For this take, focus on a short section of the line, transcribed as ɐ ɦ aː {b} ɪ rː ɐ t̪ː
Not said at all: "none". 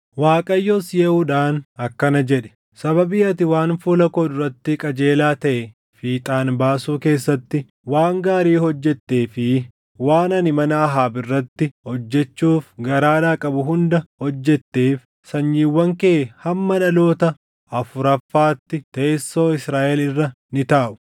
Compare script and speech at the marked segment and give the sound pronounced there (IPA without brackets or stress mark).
b